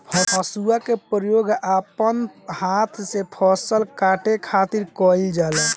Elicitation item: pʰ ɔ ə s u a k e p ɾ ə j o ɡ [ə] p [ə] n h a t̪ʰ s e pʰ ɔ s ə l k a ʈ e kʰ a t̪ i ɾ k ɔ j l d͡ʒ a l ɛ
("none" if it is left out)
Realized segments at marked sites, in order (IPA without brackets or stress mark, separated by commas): a, ə